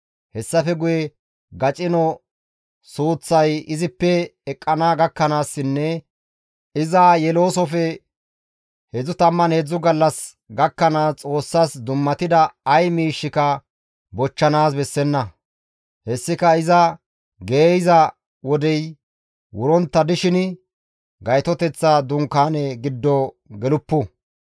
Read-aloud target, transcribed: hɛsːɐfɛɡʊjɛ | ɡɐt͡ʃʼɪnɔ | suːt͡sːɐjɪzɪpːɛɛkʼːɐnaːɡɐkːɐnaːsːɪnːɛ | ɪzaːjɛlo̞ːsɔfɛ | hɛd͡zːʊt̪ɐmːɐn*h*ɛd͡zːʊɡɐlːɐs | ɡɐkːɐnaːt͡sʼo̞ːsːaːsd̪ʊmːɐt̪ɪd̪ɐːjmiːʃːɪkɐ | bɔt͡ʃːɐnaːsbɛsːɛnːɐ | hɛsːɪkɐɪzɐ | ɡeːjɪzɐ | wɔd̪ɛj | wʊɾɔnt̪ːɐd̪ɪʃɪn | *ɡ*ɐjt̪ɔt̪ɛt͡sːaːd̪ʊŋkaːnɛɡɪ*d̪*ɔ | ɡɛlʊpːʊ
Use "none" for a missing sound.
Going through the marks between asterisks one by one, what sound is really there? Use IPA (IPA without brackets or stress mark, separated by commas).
h, ɡ, d̪ː